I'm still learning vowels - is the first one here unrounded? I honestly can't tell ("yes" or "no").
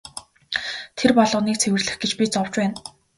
yes